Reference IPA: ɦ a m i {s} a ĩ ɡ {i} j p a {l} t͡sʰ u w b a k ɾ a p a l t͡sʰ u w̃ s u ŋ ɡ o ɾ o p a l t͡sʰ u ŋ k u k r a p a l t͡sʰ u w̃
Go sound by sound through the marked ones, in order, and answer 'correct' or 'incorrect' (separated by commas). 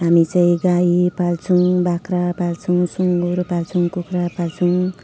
incorrect, incorrect, correct